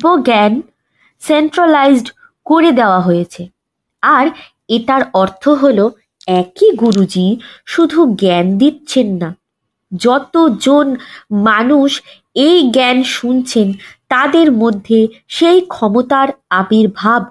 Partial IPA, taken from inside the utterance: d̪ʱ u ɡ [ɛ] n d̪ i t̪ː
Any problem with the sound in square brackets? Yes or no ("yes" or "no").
no